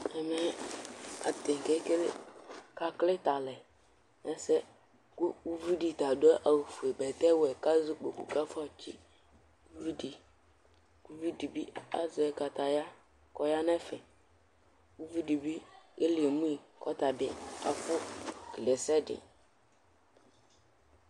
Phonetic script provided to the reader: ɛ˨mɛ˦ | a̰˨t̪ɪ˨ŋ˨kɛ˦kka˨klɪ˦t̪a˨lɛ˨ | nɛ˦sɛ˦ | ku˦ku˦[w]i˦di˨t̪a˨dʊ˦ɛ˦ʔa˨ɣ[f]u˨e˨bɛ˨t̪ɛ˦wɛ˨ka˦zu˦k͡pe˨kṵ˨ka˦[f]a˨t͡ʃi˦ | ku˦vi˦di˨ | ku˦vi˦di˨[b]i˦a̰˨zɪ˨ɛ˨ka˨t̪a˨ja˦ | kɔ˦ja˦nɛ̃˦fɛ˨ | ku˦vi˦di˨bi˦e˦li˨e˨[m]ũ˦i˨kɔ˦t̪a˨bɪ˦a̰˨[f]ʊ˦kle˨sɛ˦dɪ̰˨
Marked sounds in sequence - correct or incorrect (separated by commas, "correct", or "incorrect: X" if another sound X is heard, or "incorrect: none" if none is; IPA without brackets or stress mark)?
incorrect: v, correct, correct, correct, correct, correct